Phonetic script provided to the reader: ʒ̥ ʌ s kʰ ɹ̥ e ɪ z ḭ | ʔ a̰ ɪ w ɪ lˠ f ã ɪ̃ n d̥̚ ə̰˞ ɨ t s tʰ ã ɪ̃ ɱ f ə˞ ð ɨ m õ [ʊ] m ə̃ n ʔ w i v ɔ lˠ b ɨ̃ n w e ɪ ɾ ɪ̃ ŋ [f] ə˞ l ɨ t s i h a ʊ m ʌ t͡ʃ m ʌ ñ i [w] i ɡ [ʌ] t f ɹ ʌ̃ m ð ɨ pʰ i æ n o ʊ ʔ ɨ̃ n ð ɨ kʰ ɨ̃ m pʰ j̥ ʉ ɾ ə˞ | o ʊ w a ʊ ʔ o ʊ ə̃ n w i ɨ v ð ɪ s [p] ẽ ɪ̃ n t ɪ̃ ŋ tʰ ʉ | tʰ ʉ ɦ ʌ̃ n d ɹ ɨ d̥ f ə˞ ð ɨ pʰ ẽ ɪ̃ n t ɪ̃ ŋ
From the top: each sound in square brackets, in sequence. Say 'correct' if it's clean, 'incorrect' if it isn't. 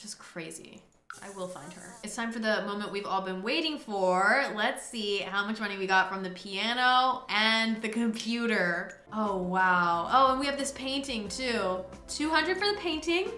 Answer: incorrect: ʊ̃, correct, correct, incorrect: ɑ, incorrect: pʰ

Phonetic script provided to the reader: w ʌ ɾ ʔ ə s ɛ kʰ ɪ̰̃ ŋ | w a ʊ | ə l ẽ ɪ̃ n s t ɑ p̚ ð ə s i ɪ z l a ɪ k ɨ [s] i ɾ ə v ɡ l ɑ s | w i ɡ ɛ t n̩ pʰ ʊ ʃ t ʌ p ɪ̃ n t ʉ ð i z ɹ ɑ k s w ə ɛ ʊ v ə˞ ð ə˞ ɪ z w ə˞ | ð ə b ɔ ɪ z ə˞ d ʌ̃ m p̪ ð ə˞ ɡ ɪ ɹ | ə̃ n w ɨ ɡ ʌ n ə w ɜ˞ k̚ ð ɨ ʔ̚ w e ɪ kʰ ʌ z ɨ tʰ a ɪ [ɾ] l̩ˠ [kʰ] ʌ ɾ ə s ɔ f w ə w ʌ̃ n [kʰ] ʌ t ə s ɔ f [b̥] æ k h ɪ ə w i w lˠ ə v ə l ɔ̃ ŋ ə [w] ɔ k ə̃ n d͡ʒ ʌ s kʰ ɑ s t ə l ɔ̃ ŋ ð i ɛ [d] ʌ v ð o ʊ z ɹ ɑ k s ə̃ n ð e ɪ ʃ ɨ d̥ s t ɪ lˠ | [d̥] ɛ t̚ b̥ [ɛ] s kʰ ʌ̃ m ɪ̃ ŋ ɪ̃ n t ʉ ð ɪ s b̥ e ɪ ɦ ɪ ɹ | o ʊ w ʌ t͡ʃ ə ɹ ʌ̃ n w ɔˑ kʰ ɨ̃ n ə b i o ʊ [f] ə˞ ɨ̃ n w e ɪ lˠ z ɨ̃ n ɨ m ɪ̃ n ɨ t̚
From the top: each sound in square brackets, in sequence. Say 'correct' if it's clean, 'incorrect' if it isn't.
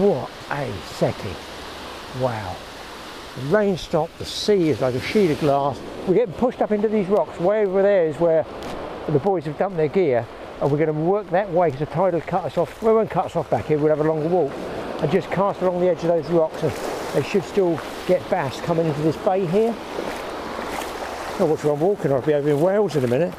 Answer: incorrect: ʃ, correct, correct, correct, correct, correct, incorrect: d͡ʒ, incorrect: ɡ̥, incorrect: æ, incorrect: v

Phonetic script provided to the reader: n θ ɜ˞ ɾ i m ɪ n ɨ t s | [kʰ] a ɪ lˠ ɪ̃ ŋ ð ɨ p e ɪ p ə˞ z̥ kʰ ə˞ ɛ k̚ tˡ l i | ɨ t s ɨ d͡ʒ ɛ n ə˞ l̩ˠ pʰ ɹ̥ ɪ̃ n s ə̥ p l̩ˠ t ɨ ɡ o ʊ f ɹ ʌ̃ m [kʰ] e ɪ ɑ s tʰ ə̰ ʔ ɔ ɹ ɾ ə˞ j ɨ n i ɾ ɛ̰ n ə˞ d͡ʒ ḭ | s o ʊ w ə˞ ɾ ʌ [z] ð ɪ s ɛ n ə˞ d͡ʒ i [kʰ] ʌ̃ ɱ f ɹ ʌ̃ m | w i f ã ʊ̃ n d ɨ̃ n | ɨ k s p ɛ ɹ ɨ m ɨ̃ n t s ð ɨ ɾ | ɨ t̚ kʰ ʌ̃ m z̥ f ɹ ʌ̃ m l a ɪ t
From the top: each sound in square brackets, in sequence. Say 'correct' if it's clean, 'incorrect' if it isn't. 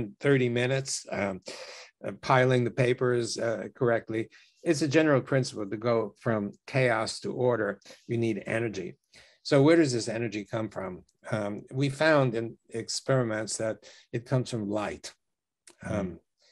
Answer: incorrect: pʰ, correct, correct, correct

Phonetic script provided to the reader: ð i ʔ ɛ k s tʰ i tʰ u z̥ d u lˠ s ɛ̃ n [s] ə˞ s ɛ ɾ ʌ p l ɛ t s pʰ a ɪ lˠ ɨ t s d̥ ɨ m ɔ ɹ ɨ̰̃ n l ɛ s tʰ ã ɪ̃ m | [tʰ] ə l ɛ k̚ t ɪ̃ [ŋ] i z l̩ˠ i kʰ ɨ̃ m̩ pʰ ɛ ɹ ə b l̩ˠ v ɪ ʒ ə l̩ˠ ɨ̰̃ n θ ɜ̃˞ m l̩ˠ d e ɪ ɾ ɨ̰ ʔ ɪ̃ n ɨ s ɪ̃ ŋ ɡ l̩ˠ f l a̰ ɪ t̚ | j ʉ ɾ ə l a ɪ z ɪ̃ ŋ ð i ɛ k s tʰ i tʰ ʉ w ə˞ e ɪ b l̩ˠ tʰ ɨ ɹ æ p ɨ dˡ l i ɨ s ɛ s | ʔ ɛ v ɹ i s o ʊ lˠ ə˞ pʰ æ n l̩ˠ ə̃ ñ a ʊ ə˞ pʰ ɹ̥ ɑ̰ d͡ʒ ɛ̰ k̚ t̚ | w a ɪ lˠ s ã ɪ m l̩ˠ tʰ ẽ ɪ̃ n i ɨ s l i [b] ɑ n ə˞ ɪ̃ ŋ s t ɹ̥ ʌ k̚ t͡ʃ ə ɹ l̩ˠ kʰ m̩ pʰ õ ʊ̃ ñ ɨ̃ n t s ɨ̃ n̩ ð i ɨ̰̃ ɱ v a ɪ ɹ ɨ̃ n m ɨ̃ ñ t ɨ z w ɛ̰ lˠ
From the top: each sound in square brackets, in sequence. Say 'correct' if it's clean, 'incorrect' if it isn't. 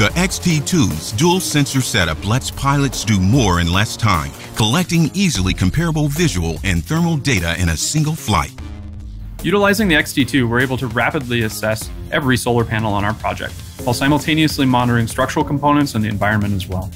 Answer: correct, incorrect: kʰ, correct, incorrect: m

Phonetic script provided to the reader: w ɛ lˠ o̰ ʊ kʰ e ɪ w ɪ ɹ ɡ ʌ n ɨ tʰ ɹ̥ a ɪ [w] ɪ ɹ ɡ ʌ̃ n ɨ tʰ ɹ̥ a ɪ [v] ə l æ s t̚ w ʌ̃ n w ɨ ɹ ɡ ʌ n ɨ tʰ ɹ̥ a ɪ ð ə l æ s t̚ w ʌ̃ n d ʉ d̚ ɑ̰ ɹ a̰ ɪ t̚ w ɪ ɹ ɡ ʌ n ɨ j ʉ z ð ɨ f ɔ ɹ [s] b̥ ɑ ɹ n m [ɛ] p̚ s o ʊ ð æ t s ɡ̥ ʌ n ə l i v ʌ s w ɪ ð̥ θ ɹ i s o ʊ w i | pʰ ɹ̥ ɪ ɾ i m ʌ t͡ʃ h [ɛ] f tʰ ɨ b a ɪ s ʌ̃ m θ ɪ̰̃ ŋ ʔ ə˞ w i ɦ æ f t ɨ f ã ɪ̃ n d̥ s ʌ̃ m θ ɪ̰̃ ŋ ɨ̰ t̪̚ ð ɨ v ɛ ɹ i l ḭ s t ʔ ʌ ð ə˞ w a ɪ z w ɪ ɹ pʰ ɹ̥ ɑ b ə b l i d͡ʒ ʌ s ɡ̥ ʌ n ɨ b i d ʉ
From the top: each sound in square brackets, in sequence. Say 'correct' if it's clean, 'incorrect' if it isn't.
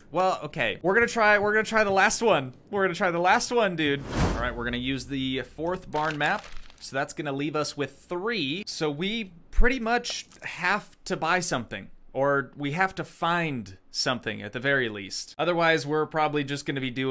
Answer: correct, incorrect: ð, incorrect: θ, incorrect: æ, incorrect: æ

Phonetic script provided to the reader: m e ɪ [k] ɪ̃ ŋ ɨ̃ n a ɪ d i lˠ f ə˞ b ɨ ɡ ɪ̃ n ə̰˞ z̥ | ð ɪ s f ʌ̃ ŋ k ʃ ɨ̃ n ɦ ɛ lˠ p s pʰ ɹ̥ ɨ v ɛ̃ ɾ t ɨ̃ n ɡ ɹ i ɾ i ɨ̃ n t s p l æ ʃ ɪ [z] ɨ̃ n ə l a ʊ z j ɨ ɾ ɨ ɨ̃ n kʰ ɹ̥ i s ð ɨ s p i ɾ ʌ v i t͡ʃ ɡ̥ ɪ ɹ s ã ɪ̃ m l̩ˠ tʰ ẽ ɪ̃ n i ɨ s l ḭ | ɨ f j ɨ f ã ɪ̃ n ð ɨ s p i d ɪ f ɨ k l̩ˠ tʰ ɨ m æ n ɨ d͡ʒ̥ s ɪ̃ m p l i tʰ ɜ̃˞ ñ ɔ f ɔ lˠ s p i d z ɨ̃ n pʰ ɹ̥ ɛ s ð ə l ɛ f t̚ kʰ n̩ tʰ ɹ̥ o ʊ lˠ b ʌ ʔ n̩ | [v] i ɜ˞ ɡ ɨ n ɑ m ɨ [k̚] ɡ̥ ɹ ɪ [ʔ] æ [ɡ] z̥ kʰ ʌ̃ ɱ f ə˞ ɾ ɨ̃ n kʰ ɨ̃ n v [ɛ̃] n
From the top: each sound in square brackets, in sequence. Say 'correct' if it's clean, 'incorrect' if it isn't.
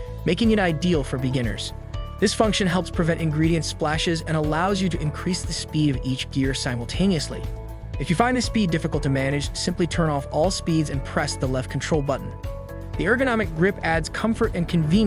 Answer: correct, correct, incorrect: ð, correct, incorrect: p, incorrect: d, incorrect: ĩ

